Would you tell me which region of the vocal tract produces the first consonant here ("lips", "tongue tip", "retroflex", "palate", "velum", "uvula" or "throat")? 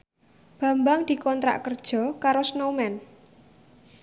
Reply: lips